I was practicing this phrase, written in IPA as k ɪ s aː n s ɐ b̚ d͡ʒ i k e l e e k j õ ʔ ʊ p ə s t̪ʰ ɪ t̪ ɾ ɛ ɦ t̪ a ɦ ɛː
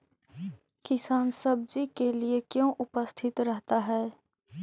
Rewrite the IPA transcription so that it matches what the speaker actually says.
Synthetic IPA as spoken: k ɪ s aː n s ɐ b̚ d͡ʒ i k e l i e k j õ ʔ ʊ p ə s t̪ʰ ɪ t̪ ɾ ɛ ɦ t̪ a ɦ ɛː